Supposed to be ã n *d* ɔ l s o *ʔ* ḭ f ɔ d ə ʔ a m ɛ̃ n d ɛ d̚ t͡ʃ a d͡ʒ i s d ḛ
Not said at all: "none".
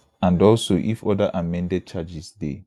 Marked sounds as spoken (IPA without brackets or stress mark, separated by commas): d, ʔ